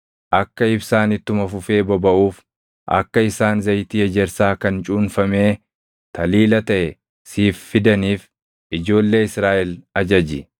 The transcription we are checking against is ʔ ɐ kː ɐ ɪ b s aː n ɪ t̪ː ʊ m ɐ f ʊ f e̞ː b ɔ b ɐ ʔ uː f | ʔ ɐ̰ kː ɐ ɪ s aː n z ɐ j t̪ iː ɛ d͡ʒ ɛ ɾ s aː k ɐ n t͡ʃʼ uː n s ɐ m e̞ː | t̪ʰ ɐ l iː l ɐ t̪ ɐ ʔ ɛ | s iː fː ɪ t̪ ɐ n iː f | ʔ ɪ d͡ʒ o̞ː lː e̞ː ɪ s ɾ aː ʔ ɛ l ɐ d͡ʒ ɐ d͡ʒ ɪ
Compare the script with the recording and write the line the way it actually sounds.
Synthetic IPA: ʔ ɐ kː ɐ ɪ b s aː n ɪ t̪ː ʊ m ɐ f ʊ f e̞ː b ɔ b ɐ ʔ uː f | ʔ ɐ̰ kː ɐ ɪ s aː n z ɐ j t̪ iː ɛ d͡ʒ ɛ ɾ s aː k ɐ n t͡ʃʼ uː n f ɐ m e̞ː | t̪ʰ ɐ l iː l ɐ t̪ ɐ ʔ ɛ | s iː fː ɪ d̪ ɐ n iː f | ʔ ɪ d͡ʒ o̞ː lː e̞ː ɪ s ɾ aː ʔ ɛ l ɐ d͡ʒ ɐ d͡ʒ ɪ